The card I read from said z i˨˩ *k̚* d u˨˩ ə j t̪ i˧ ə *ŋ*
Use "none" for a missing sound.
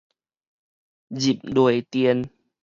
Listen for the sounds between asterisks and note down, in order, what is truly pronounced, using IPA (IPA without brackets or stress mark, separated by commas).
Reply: p̚, n